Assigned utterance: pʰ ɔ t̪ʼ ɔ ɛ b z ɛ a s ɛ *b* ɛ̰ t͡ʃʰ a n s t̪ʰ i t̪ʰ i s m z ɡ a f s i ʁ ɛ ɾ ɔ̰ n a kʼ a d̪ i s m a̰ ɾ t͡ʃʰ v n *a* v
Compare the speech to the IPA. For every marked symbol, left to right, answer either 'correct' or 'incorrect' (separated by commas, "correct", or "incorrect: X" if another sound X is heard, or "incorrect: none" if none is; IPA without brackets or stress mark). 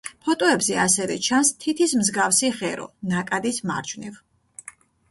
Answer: incorrect: v, incorrect: i